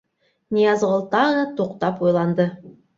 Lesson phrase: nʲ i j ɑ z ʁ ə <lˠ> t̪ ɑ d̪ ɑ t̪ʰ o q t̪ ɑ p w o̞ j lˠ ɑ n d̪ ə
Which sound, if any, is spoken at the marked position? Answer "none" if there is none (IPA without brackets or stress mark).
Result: lˠ